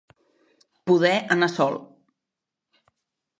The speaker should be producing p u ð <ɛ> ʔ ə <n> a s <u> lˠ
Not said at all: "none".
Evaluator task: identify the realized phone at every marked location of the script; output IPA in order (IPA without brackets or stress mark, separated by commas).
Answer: ɛ, n, ɔ